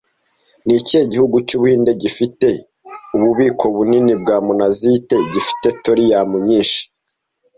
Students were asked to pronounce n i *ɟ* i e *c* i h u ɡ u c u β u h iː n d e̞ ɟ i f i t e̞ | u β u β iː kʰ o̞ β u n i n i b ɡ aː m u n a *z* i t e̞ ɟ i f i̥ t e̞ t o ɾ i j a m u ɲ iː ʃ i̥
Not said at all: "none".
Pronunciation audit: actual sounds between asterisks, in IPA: c, ɟ, z

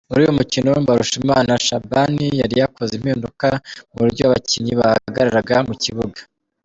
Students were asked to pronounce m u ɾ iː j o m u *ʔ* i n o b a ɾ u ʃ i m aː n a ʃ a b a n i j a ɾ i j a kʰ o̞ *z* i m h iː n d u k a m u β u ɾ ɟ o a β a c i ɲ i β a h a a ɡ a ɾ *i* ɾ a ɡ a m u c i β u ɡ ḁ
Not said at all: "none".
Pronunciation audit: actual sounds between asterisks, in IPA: c, z, a

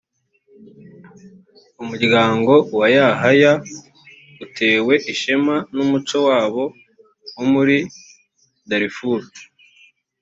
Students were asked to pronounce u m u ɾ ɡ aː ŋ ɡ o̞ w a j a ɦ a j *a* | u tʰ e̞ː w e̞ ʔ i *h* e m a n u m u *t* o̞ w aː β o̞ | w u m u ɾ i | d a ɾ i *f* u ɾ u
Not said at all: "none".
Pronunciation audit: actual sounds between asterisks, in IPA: a, ʃ, t͡ʃ, f

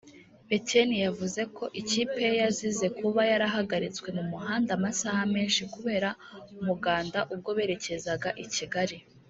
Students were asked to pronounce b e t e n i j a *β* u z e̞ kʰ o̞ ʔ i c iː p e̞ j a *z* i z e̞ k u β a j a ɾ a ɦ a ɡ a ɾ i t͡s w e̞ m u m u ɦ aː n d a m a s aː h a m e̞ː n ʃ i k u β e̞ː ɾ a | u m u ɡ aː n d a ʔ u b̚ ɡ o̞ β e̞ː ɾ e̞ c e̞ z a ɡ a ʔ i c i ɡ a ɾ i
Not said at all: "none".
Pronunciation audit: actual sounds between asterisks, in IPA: v, z

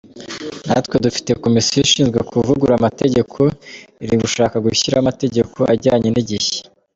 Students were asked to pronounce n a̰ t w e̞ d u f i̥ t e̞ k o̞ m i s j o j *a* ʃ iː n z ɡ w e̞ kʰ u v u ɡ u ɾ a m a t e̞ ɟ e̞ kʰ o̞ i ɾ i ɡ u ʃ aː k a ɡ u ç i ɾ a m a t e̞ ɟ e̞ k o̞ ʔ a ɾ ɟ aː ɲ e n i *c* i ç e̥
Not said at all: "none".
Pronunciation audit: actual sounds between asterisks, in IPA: i, ɟ

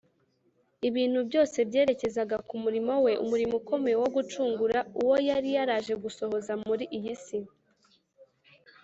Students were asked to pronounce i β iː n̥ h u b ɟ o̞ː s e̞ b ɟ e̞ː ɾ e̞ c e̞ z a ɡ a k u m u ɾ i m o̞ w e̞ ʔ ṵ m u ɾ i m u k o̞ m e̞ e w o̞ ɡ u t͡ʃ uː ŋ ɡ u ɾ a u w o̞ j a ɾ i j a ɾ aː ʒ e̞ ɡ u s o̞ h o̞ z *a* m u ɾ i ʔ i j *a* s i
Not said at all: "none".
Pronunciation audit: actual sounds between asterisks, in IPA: a, i

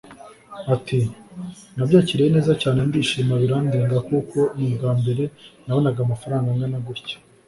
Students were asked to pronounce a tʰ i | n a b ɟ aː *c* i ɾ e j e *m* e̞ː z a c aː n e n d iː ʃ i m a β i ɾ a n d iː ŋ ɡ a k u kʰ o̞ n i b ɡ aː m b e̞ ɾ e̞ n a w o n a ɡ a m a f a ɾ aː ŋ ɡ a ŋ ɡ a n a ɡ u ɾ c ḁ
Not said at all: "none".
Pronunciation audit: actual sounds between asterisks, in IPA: c, n

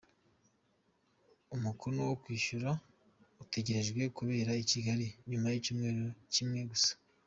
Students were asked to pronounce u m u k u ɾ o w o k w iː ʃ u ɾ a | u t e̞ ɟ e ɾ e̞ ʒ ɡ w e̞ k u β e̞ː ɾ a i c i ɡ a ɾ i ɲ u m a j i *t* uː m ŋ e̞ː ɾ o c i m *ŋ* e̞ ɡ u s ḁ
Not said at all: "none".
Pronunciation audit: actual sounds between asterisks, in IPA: c, ŋ

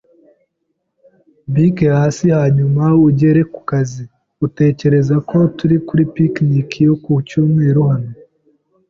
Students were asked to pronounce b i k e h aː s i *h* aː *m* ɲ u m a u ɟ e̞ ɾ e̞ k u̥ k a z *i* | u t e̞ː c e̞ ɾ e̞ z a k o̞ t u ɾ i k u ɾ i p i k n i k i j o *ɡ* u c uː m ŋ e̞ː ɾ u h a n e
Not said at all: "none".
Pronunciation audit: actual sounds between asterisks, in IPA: h, none, i, k

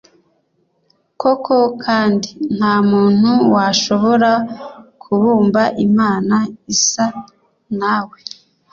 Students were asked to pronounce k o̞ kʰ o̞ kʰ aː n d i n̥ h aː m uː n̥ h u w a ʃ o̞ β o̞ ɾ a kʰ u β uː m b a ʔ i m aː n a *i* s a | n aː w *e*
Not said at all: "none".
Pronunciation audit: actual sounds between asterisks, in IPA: i, e

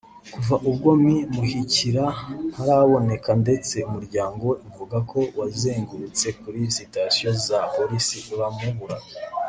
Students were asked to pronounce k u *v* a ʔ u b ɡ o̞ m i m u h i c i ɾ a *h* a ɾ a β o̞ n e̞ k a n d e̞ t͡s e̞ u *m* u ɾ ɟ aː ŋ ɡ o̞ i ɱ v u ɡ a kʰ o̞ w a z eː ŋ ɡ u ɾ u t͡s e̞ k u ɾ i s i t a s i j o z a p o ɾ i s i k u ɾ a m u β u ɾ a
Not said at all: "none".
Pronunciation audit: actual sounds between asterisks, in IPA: v, h, m

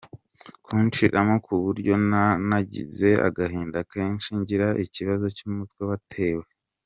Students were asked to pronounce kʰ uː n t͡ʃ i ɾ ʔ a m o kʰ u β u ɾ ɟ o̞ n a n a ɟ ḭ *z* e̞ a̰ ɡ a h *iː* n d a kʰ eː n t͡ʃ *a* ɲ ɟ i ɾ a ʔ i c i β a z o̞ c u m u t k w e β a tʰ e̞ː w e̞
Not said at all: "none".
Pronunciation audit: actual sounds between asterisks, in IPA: z, iː, i

